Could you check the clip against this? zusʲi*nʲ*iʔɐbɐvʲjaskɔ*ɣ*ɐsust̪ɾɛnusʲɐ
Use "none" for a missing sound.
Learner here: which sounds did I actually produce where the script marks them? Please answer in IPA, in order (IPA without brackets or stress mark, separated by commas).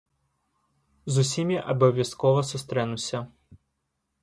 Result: mʲ, v